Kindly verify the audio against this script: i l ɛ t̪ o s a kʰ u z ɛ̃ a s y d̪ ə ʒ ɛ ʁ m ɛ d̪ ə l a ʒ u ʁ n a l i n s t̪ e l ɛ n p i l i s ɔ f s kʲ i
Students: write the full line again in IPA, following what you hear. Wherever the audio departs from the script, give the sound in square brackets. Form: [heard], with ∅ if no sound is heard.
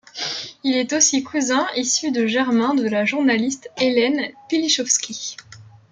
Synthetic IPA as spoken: i l ɛ t̪ o s [i] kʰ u z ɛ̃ [i] s y d̪ ə ʒ ɛ ʁ m [ɛ̃] d̪ ə l a ʒ u ʁ n a l i [∅] s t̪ e l ɛ n p i l i [ʃ] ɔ f s kʲ i